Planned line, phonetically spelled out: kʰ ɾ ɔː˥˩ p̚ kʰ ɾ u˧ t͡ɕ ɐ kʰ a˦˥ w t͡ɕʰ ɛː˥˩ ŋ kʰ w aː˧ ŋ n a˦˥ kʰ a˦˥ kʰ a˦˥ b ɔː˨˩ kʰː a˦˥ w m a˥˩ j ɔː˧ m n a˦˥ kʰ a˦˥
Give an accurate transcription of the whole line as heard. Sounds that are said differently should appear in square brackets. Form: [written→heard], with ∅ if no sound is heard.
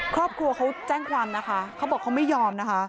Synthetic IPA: kʰ ɾ ɔː˥˩ p̚ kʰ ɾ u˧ [t͡ɕ→∅] ɐ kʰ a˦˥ w [t͡ɕʰ→t͡ɕ] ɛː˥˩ ŋ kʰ w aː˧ [ŋ→m] n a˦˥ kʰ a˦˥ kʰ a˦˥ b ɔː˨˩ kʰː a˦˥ w m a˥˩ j ɔː˧ m n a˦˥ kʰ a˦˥